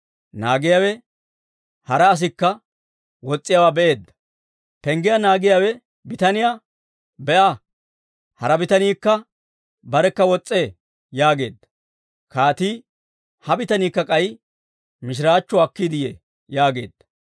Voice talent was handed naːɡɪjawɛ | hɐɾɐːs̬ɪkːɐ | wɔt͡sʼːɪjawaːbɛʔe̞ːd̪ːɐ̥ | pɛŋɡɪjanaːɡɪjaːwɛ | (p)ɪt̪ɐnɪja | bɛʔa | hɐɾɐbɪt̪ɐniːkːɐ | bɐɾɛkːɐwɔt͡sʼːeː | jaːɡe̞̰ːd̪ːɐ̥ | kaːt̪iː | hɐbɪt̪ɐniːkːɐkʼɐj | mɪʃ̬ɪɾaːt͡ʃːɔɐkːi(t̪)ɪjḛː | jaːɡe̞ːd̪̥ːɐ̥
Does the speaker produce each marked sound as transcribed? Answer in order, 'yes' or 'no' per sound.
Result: no, no

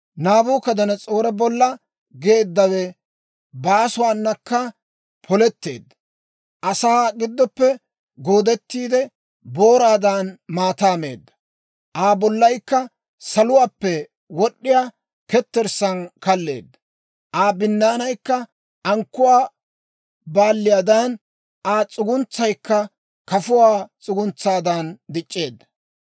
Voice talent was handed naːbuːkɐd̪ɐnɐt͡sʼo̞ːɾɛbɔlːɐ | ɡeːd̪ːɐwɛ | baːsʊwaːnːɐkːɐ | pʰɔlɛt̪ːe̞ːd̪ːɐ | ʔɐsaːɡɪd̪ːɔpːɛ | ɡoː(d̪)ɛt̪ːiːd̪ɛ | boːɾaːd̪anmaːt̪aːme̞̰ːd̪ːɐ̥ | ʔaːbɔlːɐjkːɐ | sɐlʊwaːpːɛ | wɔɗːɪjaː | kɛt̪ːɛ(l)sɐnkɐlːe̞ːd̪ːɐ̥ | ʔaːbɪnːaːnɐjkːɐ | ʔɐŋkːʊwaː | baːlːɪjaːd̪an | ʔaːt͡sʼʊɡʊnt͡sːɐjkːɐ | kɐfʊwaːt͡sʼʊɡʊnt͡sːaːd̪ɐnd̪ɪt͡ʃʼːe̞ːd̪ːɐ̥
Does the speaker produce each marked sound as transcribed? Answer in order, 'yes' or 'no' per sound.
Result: yes, no

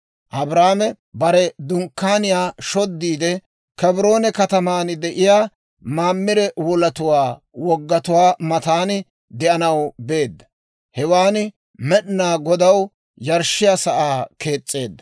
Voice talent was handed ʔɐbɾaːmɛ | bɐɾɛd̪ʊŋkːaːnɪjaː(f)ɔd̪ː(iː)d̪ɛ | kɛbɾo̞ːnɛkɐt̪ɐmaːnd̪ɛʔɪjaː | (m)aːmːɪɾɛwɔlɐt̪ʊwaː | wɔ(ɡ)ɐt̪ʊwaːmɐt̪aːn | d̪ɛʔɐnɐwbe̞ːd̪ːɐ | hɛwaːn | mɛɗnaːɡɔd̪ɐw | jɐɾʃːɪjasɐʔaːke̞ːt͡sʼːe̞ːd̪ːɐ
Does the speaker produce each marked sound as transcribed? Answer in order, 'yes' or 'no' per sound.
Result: no, yes, yes, no

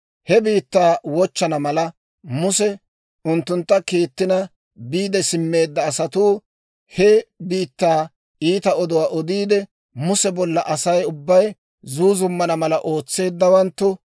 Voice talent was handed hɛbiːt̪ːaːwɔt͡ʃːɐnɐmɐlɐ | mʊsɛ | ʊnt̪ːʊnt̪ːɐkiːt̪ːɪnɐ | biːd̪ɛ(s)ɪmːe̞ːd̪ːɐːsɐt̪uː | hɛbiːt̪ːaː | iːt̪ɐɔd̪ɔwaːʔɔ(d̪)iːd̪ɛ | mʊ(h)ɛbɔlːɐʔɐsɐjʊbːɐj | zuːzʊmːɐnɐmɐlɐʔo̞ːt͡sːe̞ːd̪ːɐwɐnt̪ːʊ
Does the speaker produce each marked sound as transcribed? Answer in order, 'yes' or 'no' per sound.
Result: yes, yes, no

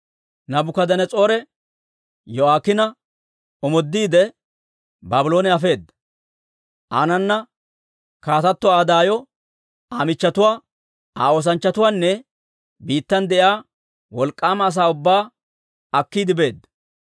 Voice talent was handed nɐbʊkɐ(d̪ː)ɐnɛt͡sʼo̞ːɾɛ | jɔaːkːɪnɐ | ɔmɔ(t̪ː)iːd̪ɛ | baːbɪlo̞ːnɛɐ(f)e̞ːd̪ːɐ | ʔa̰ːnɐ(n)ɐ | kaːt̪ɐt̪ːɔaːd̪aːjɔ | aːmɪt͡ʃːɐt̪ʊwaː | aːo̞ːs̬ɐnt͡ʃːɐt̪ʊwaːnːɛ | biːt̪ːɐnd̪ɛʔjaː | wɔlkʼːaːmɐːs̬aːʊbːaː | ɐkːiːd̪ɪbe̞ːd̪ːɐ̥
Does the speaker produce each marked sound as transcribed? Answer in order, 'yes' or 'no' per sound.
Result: no, no, yes, no

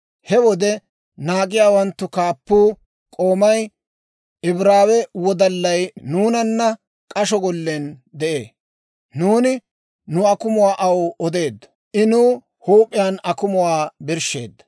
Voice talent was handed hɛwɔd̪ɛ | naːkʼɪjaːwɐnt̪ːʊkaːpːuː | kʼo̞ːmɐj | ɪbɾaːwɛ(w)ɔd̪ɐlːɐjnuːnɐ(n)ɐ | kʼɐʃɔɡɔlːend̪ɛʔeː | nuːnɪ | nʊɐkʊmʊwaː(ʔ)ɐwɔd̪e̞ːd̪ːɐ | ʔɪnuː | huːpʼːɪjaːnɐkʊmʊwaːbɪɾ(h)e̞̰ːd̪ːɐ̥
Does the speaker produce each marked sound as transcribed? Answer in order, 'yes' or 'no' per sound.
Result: yes, no, yes, no

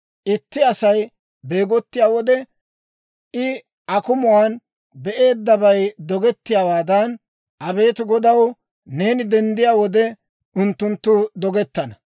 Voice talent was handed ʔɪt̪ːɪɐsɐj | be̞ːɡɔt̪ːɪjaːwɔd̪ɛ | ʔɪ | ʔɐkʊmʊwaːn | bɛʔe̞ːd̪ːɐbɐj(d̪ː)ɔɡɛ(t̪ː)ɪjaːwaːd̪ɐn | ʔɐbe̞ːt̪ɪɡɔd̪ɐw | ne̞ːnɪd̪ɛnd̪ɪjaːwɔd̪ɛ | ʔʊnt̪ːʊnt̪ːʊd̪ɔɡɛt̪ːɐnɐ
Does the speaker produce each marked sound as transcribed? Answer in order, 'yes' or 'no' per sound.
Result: no, yes

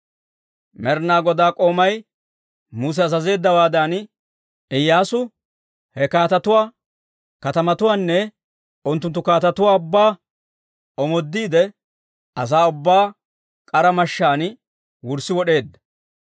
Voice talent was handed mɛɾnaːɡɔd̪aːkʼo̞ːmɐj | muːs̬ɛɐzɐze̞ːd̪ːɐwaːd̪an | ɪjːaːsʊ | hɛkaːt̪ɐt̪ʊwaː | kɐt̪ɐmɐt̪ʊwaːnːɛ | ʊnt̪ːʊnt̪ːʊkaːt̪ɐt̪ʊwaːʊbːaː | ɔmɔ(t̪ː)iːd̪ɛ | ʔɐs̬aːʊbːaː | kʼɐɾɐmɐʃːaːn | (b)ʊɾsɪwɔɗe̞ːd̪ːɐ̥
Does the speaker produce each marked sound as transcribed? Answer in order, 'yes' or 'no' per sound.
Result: no, no

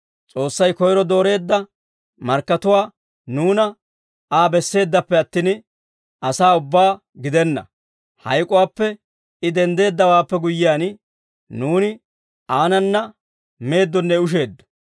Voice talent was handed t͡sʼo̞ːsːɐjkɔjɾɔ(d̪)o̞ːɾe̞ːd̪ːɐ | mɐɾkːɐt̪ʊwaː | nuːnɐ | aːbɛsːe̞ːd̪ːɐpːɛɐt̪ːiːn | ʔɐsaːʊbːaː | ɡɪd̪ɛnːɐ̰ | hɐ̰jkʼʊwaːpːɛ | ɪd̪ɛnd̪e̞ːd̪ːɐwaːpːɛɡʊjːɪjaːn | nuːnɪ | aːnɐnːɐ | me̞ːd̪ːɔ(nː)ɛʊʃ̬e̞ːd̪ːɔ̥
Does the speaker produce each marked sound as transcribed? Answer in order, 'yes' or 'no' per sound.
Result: yes, yes

